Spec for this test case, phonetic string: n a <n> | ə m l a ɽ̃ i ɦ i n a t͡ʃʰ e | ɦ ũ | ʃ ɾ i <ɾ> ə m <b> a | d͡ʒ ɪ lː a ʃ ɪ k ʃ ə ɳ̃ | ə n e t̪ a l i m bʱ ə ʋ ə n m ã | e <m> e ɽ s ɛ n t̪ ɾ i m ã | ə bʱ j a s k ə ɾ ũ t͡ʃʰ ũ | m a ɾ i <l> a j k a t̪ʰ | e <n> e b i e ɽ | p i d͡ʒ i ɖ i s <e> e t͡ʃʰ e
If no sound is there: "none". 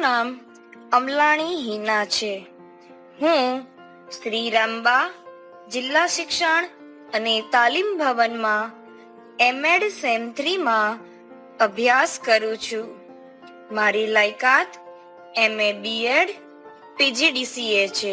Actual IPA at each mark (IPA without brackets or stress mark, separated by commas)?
m, ɾ, b, m, l, m, i